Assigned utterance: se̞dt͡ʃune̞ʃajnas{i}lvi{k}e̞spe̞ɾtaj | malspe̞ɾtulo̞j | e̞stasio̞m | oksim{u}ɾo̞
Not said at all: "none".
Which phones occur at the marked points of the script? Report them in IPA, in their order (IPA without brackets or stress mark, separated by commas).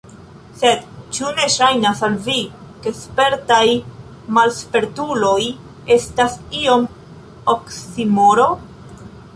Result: a, k, o